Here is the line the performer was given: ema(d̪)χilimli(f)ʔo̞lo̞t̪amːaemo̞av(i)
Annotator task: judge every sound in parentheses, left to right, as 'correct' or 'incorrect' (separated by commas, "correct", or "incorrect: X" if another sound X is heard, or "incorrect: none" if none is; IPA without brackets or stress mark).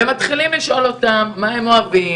incorrect: t̪, incorrect: ʃ, correct